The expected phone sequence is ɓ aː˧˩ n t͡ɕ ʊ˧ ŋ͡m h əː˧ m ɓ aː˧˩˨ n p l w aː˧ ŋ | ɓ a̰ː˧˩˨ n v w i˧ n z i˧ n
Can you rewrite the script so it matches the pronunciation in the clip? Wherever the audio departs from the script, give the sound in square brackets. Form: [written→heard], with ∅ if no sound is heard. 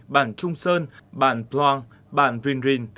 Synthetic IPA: ɓ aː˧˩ n t͡ɕ ʊ˧ ŋ͡m [h→s] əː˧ [m→n] ɓ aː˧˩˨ n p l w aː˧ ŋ | ɓ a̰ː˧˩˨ n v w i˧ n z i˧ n